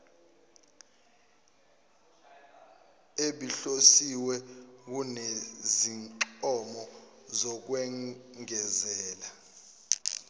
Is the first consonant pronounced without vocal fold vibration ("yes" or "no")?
no